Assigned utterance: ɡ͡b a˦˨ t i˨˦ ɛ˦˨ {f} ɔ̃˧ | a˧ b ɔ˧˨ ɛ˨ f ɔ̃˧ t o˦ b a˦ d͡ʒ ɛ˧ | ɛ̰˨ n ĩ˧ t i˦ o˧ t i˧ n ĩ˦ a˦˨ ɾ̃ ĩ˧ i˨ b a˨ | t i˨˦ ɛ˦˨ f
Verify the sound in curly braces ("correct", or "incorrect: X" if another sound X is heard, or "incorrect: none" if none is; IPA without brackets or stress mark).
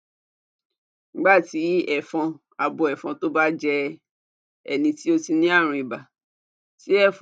correct